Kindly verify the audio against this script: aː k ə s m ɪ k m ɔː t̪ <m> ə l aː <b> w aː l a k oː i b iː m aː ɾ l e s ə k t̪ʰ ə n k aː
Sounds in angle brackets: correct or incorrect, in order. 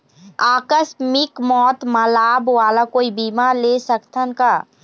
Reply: correct, correct

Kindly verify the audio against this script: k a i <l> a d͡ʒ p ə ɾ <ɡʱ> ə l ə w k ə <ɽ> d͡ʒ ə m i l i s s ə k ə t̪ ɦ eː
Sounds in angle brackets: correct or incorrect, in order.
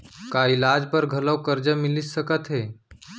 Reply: correct, correct, incorrect

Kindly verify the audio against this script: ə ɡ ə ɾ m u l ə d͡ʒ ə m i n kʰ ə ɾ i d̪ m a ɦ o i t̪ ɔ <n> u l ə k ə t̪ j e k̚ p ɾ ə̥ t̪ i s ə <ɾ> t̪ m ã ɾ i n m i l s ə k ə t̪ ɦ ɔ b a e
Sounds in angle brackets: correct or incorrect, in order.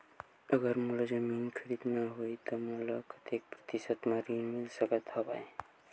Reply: incorrect, incorrect

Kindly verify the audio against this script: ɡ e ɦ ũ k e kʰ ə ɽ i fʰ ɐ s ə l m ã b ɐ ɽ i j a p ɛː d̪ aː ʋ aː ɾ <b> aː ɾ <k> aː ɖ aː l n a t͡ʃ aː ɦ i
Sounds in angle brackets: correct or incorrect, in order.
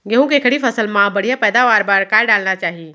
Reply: correct, correct

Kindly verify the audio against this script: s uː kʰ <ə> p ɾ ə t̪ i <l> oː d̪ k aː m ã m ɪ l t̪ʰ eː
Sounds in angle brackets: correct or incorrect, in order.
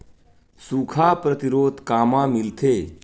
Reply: incorrect, incorrect

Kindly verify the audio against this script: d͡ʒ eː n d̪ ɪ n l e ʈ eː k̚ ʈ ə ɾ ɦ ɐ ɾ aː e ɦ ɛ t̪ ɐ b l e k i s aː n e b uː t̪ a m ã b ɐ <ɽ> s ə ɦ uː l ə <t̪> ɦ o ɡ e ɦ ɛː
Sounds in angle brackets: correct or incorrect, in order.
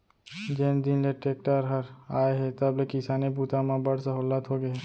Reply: correct, correct

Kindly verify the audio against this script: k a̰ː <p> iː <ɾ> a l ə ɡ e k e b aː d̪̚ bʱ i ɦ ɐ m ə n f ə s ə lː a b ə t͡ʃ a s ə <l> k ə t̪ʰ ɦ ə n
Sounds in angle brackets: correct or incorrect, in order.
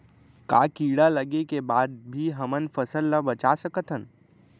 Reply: incorrect, incorrect, incorrect

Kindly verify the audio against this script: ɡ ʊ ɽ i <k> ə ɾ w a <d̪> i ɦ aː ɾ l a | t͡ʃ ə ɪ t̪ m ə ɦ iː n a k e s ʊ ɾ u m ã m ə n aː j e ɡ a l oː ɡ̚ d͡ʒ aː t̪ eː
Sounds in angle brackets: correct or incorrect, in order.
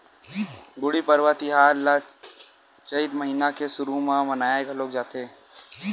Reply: incorrect, incorrect

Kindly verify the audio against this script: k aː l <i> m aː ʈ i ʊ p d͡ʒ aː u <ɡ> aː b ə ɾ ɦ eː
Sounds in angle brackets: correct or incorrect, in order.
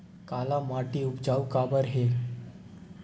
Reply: incorrect, incorrect

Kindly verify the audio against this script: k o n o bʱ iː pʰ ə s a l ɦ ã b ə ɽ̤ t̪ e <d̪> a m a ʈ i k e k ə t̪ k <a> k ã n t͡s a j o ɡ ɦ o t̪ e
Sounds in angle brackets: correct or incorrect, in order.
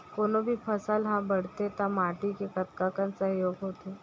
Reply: incorrect, correct

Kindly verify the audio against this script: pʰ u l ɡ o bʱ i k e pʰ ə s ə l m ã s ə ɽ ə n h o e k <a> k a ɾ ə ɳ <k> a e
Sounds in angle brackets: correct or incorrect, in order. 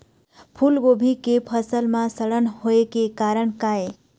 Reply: incorrect, correct

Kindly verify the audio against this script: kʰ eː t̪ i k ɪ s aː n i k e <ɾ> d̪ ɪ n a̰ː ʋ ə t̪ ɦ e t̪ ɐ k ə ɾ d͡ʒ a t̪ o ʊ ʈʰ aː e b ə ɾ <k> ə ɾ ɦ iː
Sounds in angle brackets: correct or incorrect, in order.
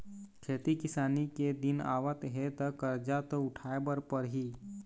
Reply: incorrect, incorrect

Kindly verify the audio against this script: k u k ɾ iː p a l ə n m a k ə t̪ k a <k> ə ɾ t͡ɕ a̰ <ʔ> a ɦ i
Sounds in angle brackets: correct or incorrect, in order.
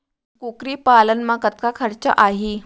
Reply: incorrect, correct

